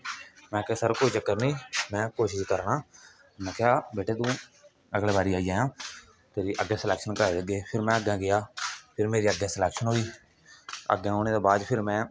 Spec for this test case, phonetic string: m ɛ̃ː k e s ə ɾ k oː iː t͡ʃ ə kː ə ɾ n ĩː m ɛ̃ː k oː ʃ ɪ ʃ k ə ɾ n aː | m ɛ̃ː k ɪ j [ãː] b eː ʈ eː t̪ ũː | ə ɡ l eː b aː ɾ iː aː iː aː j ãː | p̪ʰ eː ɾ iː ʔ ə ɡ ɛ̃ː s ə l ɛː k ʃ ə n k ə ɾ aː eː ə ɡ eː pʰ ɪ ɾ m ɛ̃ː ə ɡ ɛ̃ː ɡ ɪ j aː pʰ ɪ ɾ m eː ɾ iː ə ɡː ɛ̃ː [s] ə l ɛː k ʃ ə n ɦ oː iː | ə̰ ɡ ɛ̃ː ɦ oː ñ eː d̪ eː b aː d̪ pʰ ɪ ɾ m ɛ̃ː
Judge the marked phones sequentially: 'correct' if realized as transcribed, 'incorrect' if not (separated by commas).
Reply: incorrect, correct